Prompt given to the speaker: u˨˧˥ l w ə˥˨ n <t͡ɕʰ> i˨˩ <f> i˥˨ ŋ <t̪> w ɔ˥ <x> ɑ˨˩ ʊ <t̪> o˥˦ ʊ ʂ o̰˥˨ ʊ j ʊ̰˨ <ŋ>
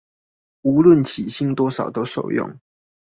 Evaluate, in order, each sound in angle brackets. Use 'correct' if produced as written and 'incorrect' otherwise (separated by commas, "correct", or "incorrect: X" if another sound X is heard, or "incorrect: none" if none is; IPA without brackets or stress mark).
correct, incorrect: ɕ, correct, incorrect: ʂ, correct, correct